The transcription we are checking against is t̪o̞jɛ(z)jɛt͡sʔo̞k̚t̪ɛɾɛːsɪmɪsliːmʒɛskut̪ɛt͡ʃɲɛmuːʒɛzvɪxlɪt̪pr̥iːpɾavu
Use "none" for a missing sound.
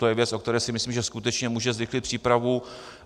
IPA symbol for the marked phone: v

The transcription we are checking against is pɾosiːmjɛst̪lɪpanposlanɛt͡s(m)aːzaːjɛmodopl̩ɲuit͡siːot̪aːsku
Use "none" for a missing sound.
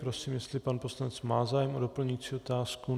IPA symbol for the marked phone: m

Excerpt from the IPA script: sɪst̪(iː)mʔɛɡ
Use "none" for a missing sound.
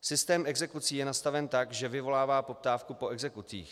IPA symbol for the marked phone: ɛː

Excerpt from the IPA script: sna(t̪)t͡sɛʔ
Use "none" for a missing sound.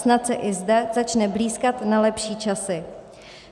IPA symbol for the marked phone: t̪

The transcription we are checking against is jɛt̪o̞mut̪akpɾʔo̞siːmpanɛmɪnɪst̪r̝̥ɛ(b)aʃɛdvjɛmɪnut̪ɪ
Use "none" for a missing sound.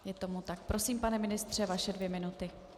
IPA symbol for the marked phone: v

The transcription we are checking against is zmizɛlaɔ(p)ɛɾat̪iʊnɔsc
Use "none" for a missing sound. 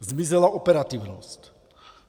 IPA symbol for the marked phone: p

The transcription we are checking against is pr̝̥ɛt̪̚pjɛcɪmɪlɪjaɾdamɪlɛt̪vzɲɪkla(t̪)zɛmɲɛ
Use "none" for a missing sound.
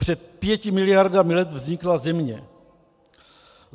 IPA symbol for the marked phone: none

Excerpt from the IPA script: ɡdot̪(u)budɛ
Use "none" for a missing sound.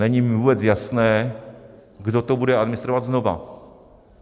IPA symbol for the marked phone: o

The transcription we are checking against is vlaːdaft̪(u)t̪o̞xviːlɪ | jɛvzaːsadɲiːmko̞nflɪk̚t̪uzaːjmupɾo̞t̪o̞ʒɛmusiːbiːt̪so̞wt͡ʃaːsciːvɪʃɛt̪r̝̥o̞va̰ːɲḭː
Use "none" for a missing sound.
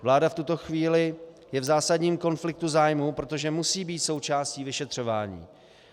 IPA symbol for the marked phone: u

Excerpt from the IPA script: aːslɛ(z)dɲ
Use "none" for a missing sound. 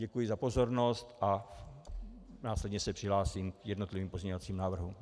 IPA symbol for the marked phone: none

